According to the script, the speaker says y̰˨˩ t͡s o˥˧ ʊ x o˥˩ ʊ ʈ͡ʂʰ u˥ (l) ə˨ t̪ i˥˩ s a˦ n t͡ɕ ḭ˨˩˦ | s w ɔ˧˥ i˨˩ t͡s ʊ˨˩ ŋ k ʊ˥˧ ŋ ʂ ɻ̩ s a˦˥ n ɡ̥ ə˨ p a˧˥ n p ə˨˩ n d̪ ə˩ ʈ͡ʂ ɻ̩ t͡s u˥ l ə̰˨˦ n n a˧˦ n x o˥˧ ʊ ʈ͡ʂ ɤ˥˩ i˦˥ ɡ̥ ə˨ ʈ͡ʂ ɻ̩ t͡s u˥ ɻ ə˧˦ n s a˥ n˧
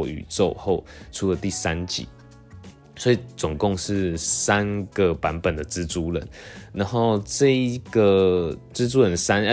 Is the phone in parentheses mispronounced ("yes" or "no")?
no